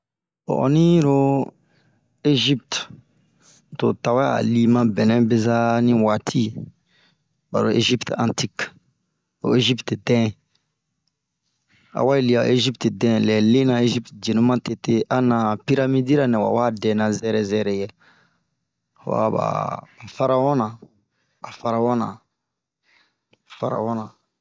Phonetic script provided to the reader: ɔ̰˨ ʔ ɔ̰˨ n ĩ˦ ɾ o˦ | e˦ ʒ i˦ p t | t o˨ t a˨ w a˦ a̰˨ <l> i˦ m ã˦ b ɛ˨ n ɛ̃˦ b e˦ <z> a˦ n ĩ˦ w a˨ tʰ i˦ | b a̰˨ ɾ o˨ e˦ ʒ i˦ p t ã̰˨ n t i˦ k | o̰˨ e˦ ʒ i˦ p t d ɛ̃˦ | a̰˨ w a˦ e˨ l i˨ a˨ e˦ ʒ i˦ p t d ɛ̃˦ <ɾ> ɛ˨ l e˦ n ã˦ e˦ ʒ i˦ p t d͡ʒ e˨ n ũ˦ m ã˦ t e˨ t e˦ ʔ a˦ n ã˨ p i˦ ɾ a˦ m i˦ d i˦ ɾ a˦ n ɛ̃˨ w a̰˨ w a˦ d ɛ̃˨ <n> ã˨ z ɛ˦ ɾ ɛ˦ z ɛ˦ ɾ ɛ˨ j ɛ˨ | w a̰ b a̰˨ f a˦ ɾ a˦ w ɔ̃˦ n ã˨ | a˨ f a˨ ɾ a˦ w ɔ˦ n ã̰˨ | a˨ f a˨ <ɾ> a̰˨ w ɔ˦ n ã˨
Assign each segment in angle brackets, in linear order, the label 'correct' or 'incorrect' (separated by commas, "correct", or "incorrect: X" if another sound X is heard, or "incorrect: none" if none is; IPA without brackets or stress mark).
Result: correct, correct, incorrect: l, correct, correct